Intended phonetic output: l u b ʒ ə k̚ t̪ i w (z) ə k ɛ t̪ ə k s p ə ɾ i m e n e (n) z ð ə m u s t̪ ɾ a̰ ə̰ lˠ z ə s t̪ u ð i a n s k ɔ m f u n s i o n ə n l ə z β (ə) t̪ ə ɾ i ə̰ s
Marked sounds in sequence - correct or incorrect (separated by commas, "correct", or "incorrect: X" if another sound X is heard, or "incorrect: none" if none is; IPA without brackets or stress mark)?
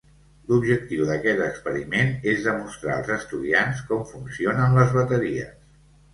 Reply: incorrect: ð, incorrect: none, correct